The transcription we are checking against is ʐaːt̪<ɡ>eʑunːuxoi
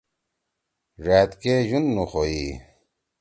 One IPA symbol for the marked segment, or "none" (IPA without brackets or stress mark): k